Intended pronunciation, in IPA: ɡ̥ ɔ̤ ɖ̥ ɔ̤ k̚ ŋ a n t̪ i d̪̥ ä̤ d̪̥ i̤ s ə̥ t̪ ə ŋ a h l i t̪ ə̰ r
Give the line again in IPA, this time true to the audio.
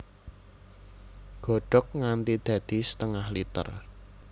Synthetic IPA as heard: ɡ̥ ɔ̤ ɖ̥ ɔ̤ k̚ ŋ a n t̪ i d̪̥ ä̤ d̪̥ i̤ s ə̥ t̪ ə ŋ a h l i t̪ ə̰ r